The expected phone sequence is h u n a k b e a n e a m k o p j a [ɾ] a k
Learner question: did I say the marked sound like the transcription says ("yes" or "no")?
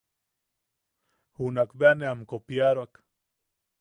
yes